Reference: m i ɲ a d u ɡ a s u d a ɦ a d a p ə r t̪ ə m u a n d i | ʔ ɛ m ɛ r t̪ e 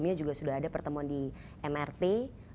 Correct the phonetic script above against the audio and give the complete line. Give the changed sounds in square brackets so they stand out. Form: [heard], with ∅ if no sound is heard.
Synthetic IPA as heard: m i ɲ a [d͡ʒ] u ɡ a s u d a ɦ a d a p ə r t̪ ə m u a n d i | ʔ ɛ m ɛ r t̪ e